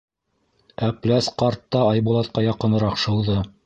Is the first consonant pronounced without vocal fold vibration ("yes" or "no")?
yes